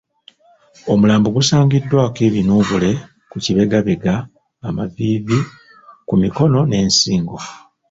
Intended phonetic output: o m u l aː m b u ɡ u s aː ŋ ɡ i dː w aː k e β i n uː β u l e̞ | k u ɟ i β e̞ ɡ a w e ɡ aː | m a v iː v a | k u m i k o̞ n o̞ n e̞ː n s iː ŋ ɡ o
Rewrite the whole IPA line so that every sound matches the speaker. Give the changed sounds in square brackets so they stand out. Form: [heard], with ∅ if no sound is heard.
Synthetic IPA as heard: o m u l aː m b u ɡ u s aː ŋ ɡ i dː w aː k e β i n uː β u l e̞ | k u [c] i β e̞ ɡ a [β] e ɡ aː | m a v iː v [i] | k u m i k o̞ n o̞ n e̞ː n s iː ŋ ɡ o